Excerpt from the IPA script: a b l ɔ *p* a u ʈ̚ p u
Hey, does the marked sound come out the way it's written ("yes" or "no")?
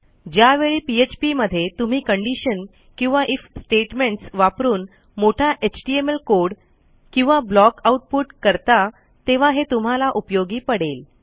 no